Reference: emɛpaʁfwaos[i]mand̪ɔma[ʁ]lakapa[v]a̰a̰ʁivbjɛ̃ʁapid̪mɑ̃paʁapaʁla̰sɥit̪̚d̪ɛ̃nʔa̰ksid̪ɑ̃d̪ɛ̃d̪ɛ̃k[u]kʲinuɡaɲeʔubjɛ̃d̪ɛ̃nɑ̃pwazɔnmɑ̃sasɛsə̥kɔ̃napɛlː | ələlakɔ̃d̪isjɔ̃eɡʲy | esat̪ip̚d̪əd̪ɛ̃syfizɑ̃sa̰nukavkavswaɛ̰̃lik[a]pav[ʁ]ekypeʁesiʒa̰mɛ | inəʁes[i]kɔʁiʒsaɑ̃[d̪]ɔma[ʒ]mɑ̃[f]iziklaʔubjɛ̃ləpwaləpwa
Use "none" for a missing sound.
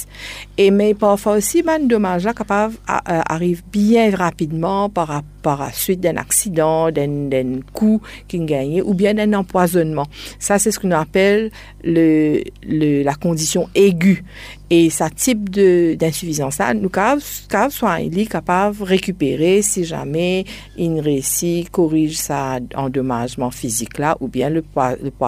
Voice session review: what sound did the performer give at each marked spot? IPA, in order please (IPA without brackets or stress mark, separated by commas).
i, ʒ, v, u, a, ʁ, i, d̪, ʒ, f